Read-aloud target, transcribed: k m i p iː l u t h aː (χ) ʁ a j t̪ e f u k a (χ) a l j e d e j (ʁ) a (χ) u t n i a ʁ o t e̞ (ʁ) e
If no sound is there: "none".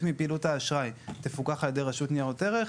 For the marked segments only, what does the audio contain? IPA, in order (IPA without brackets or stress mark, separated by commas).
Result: ʃ, χ, ʁ, ʃ, ʁ